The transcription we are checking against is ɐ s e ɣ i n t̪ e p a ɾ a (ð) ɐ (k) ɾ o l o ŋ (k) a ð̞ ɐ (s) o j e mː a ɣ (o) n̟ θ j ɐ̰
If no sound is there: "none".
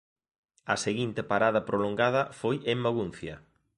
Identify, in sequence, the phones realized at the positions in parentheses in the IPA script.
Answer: ð, p, ɡ, f, u

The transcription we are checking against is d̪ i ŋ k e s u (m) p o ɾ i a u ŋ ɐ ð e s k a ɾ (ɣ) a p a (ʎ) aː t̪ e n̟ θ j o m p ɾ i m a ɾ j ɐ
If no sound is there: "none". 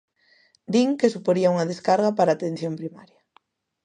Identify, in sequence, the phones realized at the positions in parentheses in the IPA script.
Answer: none, ɣ, ɾ

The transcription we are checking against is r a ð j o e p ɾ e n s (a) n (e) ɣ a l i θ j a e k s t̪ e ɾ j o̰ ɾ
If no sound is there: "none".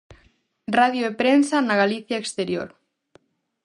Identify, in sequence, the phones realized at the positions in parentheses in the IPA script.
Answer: a, a

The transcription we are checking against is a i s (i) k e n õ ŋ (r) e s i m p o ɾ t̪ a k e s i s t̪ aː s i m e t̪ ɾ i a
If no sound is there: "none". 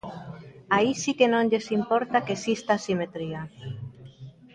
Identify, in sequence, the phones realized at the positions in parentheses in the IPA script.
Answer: i, ʎ

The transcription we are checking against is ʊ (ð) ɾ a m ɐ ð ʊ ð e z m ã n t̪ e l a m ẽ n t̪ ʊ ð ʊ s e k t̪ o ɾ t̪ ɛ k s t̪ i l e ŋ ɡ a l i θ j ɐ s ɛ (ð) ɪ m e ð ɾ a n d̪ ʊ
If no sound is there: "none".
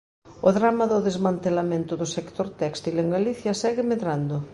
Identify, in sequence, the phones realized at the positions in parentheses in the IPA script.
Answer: ð, ɣ

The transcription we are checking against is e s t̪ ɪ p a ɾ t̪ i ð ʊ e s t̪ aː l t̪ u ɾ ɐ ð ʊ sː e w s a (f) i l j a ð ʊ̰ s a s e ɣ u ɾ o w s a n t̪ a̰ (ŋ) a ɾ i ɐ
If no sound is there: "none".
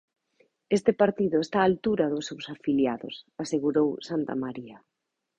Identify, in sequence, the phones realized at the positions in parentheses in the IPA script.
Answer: f, m

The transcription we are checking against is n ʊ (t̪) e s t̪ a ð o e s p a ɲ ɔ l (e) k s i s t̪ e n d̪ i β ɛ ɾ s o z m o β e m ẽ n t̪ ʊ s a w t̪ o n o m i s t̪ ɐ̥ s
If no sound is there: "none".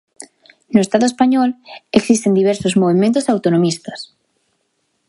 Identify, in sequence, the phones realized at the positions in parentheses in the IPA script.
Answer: none, e

